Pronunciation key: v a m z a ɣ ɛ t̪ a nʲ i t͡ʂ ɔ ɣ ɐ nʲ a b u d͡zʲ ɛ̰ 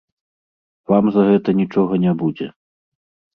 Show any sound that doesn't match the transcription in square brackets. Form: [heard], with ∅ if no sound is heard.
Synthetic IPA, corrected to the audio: v a m z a ɣ ɛ t̪ [ɐ] nʲ i t͡ʂ ɔ ɣ ɐ nʲ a b u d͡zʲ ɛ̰